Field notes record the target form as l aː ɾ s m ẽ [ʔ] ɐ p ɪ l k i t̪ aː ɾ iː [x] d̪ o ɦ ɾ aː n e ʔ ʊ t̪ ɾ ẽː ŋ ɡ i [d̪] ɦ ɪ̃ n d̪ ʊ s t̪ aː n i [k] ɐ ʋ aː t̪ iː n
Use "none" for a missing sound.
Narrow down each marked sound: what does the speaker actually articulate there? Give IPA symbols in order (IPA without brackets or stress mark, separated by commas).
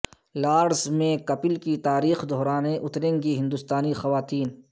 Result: k, x, none, x